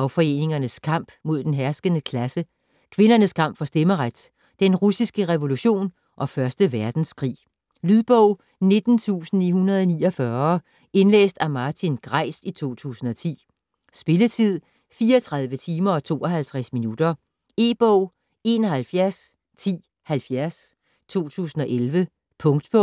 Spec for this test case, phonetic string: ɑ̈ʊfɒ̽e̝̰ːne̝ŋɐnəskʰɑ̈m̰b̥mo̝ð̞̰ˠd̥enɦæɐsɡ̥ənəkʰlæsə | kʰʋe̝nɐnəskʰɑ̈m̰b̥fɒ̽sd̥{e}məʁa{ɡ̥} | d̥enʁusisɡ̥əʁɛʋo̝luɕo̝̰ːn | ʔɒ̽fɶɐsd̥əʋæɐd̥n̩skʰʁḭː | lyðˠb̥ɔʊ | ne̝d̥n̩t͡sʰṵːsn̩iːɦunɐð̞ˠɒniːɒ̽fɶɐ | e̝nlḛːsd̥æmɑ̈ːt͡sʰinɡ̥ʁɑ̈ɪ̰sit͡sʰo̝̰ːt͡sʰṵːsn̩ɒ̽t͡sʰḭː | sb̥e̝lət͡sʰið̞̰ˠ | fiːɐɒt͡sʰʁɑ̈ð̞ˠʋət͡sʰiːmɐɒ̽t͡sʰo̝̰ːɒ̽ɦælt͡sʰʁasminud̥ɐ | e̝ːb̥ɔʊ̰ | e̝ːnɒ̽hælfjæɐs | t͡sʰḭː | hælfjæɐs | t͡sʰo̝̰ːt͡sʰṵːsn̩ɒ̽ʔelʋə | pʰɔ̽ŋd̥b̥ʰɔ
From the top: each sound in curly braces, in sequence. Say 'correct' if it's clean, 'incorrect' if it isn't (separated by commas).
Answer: correct, incorrect